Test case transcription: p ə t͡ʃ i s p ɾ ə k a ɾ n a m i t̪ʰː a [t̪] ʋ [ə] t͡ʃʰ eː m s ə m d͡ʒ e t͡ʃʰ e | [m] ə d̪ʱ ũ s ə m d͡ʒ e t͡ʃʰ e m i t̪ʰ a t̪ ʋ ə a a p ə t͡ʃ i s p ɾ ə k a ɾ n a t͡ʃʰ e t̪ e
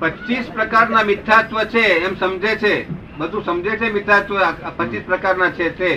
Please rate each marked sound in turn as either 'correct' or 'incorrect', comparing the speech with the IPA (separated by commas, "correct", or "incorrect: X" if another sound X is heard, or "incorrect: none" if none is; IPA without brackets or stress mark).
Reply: correct, correct, incorrect: b